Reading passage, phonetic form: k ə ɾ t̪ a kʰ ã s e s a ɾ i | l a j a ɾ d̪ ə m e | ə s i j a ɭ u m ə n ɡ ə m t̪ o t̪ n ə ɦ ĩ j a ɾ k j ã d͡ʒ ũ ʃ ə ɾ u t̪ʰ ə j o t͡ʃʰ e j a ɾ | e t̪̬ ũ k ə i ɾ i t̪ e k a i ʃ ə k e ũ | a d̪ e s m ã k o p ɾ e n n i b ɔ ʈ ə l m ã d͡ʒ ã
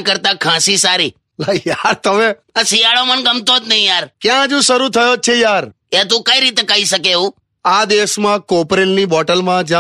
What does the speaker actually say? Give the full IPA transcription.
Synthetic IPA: k ə ɾ t̪ a kʰ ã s i s a ɾ i | l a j a ɾ t̪ ə m e | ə s i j a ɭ o m ə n ɡ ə m t̪ o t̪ n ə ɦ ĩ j a ɾ k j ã d͡ʒ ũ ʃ ə ɾ u t̪ʰ ə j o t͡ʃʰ e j a ɾ | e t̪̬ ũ k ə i ɾ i t̪ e k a i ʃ ə k e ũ | a d̪ e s m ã k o p ɾ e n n i b ɔ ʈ ə l m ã d͡ʒ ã